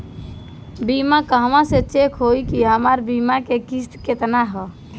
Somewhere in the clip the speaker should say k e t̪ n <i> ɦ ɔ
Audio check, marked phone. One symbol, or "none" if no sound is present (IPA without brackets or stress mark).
a